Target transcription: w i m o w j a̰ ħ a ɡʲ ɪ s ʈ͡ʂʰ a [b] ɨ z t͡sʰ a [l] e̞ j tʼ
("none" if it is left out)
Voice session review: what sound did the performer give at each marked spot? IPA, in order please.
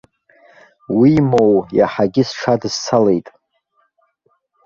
d, l

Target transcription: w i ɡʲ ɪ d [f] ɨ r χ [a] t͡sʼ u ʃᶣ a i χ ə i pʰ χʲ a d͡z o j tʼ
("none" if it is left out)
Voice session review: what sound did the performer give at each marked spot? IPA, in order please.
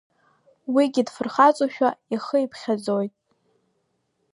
f, a

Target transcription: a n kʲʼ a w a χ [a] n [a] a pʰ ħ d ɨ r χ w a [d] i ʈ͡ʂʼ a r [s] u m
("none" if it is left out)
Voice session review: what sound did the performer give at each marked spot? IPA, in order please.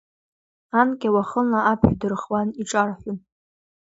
ə, a, n, ħ

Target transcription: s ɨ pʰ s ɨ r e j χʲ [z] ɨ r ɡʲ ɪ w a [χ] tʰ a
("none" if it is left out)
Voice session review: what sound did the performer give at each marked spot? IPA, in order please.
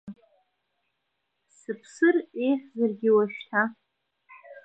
z, ʃ

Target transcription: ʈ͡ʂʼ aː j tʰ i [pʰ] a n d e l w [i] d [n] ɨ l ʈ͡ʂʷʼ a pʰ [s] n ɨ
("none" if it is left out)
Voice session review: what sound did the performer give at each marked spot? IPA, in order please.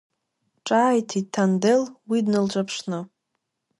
tʰ, i, n, ʂ

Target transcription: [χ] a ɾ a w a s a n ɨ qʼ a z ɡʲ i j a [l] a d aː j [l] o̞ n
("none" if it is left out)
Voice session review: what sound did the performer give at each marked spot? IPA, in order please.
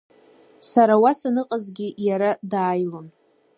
s, ɾ, l

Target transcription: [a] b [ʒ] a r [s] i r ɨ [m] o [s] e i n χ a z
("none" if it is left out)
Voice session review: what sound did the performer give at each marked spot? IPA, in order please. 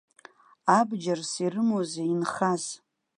a, d͡ʒ, s, m, z

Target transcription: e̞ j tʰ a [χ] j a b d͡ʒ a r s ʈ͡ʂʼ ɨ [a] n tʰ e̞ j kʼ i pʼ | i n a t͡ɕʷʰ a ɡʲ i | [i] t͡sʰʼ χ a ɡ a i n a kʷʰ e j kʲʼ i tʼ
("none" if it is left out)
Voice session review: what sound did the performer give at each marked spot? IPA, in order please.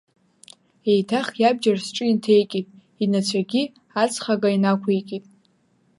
χ, i, a

